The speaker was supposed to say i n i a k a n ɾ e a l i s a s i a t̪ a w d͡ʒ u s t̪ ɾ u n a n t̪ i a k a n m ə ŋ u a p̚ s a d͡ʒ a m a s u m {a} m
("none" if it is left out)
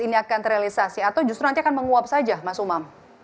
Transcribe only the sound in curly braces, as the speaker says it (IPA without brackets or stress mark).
a